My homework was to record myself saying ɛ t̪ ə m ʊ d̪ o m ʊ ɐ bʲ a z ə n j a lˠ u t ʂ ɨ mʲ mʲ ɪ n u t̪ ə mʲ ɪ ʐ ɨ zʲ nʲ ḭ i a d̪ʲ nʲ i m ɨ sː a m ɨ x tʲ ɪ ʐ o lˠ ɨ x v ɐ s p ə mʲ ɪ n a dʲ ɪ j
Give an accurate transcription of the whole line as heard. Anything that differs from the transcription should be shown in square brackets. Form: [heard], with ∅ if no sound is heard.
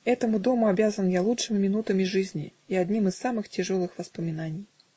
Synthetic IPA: ɛ t̪ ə m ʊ d̪ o m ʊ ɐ bʲ a z ə n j a lˠ u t ʂ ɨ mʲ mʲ ɪ n u t̪ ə mʲ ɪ ʐ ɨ zʲ nʲ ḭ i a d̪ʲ nʲ i m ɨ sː a m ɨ x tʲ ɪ ʐ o lˠ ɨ x v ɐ s p ə mʲ ɪ n a [nʲ] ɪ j